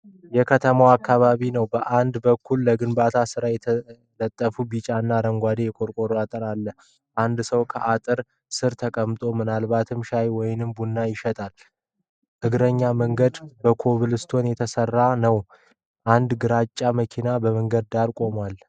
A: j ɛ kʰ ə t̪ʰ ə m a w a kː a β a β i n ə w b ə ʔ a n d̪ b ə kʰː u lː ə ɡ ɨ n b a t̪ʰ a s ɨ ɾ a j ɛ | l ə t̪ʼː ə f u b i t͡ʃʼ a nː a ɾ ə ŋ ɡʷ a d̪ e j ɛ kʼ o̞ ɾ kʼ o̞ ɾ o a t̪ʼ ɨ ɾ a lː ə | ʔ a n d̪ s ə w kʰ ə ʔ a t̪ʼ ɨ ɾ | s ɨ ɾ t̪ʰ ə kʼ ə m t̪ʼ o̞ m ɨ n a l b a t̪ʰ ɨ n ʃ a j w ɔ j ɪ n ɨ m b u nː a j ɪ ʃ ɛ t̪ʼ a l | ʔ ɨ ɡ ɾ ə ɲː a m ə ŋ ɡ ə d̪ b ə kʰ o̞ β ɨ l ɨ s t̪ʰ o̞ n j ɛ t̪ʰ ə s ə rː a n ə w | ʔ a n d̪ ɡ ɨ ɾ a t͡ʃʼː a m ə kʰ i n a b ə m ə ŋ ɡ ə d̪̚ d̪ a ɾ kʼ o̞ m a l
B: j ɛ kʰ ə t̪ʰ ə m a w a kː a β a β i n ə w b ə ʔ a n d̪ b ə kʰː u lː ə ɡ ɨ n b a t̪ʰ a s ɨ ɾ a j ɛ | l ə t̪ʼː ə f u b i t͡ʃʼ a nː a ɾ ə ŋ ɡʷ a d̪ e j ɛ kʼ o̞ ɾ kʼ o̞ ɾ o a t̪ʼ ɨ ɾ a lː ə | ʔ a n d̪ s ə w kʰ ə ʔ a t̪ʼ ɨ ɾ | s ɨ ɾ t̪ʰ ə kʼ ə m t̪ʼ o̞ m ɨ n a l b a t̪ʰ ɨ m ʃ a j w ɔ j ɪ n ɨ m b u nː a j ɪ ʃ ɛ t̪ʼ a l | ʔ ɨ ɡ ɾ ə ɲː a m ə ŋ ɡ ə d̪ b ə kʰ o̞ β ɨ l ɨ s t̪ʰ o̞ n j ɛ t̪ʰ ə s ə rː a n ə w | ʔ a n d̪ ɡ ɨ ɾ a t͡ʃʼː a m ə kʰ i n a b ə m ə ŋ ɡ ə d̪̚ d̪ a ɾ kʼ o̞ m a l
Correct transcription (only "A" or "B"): B